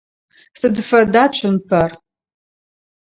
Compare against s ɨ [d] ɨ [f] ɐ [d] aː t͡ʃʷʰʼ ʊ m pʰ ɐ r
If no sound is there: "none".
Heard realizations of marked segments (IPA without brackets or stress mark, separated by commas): d, f, d